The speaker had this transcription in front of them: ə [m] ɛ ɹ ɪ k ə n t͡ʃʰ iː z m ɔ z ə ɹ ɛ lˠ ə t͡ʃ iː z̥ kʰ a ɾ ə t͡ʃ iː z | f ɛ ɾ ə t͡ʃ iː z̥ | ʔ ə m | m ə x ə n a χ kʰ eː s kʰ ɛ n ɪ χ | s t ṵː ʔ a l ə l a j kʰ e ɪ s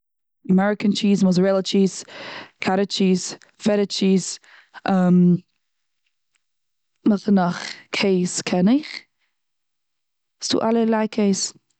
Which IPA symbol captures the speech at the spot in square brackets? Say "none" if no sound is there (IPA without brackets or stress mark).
m